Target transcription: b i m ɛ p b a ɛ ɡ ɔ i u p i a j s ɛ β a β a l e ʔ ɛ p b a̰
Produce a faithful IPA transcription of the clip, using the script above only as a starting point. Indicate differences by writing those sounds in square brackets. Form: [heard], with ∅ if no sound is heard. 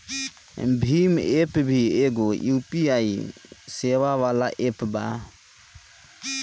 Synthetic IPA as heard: b i m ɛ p b [i] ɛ ɡ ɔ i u p i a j s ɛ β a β a l [a] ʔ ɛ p b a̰